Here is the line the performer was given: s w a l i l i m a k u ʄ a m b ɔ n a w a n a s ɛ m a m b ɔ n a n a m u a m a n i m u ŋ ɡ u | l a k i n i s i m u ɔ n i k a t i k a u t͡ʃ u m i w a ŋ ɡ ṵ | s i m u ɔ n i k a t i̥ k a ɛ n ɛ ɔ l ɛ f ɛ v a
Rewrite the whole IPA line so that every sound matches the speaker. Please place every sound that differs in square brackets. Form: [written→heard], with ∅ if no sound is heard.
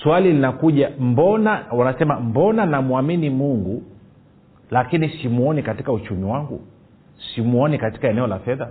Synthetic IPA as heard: s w a l i l i [m→n] a k u ʄ a m b ɔ n a w a n a s ɛ m a m b ɔ n a n a m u a m [a→i] n i m u ŋ ɡ u | l a k i n i s i m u ɔ n i k a t i k a u t͡ʃ u m i w a ŋ ɡ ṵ | s i m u ɔ n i k a t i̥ k a ɛ n ɛ ɔ l [ɛ→a] f ɛ [v→ð] a